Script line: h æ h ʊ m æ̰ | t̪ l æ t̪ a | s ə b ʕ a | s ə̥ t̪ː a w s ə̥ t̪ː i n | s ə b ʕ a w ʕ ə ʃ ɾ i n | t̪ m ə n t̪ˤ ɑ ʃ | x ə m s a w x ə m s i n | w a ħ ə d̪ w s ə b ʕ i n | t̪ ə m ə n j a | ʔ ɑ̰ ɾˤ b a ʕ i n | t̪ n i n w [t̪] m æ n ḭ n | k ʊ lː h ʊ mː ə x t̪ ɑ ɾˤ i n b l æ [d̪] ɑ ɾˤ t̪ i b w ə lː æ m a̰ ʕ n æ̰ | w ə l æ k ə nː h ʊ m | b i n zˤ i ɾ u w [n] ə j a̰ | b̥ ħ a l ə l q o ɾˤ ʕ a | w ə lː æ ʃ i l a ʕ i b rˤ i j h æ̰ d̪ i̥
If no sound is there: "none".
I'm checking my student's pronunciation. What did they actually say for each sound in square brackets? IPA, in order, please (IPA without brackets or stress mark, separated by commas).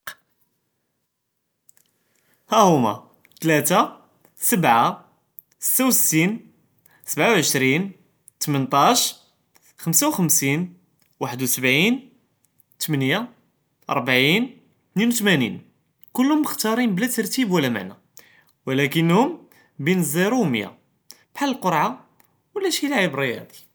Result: t̪, t̪, m